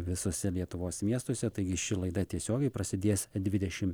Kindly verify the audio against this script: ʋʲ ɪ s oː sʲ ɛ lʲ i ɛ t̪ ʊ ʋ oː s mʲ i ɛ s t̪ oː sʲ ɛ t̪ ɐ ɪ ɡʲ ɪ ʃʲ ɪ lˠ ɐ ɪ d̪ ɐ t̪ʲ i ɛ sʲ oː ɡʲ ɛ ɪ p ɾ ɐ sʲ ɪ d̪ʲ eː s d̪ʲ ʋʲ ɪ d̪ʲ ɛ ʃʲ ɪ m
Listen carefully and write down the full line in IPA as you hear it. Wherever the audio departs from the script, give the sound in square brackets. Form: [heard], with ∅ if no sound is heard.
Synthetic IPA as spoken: ʋʲ ɪ s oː sʲ ɛ lʲ i ɛ t̪ ʊ ʋ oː s mʲ i ɛ s t̪ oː sʲ ɛ t̪ ɐ ɪ ɡʲ ɪ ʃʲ ɪ lˠ ɐ ɪ d̪ ɐ t̪ʲ i ɛ sʲ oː ɡʲ ɛ ɪ p ɾ ɐ sʲ ɪ d̪ʲ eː s d̪ʲ ʋʲ ɪ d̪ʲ ɛ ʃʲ ɪ m